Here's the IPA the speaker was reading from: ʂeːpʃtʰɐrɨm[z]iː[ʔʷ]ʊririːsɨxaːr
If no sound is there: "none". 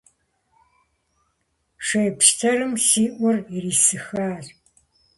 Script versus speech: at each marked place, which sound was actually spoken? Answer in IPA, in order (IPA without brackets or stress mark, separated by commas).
s, ʔʷ